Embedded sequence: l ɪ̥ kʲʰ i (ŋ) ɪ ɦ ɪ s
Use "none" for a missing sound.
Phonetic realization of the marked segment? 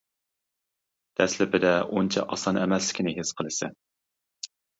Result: n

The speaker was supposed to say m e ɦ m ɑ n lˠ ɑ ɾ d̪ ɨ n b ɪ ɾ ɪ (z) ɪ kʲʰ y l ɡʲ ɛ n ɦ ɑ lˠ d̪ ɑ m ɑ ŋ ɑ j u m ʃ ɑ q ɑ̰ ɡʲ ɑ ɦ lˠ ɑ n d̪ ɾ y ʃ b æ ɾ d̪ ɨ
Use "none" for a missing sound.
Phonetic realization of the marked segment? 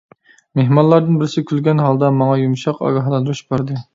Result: s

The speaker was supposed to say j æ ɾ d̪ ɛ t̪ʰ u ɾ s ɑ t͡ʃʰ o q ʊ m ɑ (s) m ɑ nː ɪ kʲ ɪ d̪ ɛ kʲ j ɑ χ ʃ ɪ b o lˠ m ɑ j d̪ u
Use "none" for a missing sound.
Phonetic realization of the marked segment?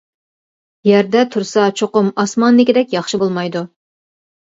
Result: s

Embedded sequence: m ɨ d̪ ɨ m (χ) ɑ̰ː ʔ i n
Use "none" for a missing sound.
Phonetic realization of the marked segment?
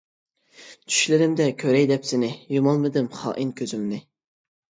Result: χ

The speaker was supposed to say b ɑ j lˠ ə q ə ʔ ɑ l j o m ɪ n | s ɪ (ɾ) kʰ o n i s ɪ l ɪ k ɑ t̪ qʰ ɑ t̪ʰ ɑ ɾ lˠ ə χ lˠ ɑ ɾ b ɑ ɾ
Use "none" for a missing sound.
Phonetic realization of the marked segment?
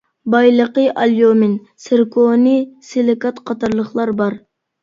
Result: ɾ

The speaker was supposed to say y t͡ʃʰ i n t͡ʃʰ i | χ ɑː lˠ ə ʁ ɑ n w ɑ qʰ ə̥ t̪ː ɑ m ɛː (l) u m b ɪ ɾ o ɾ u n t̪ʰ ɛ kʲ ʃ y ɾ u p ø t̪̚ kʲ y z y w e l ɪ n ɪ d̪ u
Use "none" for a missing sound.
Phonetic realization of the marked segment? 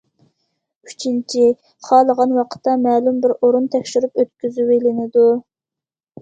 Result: l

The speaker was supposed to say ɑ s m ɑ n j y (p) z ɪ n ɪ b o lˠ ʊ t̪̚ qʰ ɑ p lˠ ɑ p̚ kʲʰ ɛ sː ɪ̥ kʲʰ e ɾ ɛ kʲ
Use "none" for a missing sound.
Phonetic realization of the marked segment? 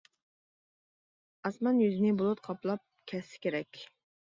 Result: none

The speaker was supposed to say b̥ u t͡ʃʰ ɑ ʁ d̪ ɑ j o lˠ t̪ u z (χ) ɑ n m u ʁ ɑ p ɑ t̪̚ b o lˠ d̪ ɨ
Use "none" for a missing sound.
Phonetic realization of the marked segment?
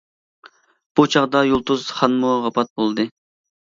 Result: χ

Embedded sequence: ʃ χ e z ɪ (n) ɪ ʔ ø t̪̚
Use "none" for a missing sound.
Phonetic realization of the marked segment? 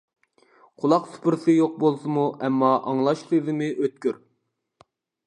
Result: m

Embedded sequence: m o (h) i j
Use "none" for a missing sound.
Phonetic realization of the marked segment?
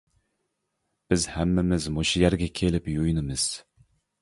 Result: ʃ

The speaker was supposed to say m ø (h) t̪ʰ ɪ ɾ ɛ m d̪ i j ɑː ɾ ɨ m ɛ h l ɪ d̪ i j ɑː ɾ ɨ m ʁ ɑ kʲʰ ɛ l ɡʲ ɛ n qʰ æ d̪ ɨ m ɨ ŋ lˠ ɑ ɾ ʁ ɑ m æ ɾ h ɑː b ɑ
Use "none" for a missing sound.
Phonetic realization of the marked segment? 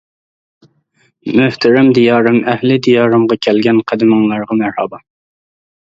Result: h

